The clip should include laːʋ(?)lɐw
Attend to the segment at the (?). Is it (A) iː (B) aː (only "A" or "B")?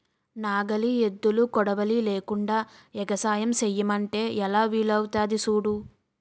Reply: A